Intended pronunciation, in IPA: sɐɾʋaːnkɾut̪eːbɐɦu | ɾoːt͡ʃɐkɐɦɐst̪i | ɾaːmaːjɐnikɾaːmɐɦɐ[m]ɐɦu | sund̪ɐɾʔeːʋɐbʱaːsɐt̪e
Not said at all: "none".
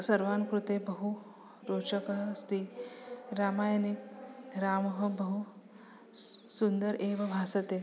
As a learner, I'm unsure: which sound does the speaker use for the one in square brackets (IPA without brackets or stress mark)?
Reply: b